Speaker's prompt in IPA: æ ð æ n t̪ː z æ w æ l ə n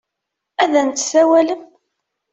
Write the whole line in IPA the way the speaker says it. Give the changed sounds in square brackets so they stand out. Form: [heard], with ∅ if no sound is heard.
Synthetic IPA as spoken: æ ð æ n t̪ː [s] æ w æ l ə [m]